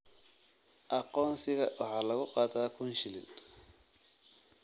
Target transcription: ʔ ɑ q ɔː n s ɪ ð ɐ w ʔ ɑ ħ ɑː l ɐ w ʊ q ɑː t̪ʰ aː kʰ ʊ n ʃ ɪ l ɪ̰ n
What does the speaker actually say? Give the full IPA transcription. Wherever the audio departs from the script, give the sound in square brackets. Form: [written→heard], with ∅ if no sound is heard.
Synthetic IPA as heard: ʔ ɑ q ɔː n s ɪ [ð→ɣ] ɐ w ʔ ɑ ħ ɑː l ɐ [w→ɣ] ʊ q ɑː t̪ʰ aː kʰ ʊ n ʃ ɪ l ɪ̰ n